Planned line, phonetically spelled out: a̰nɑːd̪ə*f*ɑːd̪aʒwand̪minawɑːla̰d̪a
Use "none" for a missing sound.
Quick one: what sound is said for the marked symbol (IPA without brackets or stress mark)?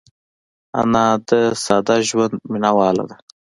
s